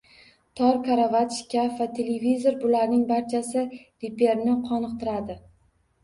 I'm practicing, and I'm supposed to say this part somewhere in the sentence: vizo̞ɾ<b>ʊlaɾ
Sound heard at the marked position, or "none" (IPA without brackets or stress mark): b